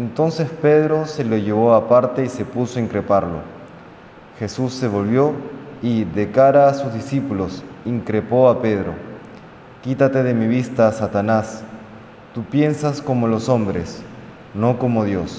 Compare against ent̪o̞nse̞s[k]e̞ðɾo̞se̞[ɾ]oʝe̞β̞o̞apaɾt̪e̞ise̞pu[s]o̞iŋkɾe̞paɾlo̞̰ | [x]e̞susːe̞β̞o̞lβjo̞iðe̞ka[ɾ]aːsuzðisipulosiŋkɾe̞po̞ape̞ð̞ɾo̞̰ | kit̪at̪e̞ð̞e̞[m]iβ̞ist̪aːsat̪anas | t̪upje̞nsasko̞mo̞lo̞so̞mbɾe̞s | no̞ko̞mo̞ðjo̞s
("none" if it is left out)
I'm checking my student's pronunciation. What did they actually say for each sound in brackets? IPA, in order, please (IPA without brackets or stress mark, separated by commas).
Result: p, l, s, x, ɾ, m